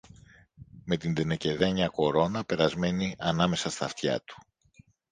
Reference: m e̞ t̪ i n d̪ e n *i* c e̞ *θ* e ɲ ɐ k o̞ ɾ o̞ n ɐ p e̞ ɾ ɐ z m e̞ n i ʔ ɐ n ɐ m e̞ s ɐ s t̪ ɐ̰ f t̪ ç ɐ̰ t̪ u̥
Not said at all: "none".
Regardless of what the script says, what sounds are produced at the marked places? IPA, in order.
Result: e, ð

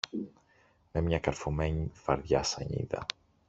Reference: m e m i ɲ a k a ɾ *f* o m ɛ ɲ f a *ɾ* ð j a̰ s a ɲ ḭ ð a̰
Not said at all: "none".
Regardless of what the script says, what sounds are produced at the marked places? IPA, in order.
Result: f, ɾ

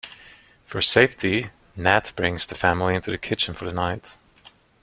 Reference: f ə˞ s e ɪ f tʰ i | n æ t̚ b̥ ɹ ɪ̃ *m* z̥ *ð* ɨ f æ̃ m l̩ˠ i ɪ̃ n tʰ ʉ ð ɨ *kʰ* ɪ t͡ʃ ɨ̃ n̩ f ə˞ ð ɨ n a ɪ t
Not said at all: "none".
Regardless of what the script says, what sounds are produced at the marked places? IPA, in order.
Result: ŋ, ð, kʰ

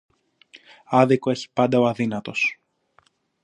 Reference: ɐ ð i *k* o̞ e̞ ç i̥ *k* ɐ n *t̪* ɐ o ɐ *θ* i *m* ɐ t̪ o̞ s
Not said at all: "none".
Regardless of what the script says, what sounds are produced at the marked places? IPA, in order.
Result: k, p, d̪, ð, n

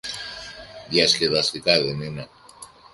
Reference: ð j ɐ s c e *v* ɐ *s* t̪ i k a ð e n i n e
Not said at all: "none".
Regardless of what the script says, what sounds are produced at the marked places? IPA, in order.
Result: ð, s

